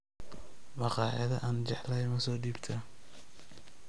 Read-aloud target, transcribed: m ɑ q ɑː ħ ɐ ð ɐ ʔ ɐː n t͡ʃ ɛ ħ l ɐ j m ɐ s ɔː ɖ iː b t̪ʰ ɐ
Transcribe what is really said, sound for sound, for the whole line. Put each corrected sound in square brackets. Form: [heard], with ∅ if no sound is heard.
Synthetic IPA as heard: m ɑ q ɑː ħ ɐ ð ɐ ʔ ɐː n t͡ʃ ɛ ħ l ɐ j m ɐ s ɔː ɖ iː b t̪ʰ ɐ